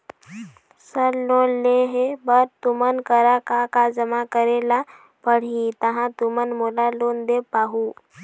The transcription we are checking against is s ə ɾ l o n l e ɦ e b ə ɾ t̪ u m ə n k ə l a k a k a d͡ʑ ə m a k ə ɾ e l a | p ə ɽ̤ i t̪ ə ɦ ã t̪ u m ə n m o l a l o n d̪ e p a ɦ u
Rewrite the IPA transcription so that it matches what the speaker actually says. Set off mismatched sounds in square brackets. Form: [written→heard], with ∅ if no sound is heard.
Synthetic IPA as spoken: s ə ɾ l o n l e ɦ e b ə ɾ t̪ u m ə n k ə [l→ɾ] a k a k a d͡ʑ ə m a k ə ɾ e l a | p ə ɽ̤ i t̪ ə ɦ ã t̪ u m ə n m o l a l o n d̪ e p a ɦ u